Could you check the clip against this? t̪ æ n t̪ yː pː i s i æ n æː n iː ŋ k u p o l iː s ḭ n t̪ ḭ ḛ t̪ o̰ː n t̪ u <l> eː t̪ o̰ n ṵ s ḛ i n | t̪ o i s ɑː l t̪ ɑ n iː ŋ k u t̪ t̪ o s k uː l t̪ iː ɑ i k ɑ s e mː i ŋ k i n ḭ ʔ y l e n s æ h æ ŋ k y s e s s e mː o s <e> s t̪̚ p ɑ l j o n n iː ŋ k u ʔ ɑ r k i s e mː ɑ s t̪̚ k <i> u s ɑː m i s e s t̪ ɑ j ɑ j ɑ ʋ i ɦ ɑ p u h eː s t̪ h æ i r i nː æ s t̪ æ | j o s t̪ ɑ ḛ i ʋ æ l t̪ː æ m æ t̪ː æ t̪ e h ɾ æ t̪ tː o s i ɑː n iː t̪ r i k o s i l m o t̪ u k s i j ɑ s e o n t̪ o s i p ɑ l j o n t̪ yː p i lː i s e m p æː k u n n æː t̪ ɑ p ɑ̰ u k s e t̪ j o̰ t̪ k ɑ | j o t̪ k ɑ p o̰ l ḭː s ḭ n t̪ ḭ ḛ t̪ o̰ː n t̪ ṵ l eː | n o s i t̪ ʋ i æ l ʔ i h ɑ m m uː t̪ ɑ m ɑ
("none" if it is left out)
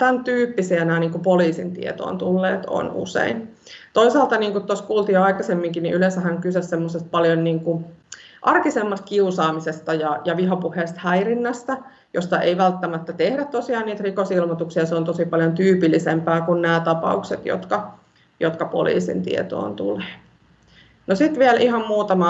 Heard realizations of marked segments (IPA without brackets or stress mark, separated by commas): lː, e, i